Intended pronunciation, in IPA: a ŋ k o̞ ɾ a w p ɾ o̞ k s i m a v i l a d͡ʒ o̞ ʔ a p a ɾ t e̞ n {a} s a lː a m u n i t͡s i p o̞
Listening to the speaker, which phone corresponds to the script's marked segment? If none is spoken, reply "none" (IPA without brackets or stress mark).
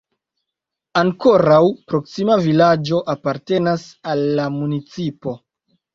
a